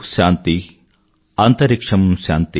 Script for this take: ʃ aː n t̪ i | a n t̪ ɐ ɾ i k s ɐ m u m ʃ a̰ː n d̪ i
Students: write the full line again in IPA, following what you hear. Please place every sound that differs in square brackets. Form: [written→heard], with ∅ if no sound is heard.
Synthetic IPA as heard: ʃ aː n t̪ i | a n t̪ ɐ ɾ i k [s→ʂ] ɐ m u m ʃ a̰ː n [d̪→t̪] i

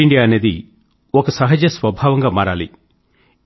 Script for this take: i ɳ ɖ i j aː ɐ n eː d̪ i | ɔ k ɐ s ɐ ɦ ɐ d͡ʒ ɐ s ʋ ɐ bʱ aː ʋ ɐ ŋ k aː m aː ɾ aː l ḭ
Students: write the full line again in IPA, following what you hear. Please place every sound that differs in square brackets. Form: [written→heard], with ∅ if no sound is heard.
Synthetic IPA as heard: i ɳ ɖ i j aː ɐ n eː d̪ i | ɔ k ɐ s ɐ ɦ ɐ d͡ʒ ɐ s ʋ ɐ bʱ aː ʋ ɐ ŋ [k→ɡ] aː m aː ɾ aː l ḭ

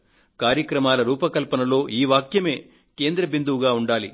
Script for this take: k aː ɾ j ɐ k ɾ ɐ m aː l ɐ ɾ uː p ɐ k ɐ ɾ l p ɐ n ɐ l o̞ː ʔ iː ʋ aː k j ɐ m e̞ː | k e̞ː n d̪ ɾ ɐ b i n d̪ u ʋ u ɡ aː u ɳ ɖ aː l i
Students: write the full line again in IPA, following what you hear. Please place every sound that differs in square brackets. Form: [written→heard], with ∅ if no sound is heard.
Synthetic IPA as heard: k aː ɾ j ɐ k ɾ ɐ m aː l ɐ ɾ uː p ɐ k ɐ [ɾ→∅] l p ɐ n ɐ l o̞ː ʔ iː ʋ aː k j ɐ m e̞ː | k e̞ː n d̪ ɾ ɐ b i n d̪ u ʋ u ɡ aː u ɳ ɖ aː l i

